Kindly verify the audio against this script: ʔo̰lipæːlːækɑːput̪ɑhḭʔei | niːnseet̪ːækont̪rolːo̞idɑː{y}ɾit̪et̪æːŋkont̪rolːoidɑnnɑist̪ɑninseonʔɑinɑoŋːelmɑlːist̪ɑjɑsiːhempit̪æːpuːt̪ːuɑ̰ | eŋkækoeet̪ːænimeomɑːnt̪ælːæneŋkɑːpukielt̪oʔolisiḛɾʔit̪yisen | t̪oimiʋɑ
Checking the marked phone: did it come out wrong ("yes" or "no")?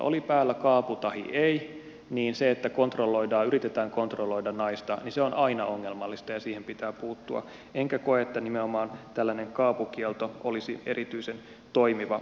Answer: no